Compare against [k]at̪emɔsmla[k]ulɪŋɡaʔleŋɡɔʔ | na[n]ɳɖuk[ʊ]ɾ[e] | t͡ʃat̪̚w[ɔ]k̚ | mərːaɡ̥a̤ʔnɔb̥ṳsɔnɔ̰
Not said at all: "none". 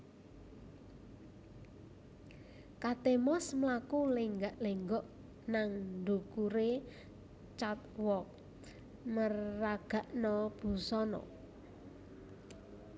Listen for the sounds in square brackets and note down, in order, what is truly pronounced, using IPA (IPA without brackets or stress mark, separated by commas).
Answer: k, k, ŋ, u, e, ɔ